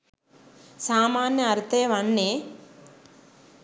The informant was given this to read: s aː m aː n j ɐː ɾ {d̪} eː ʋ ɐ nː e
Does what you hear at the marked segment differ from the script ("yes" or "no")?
yes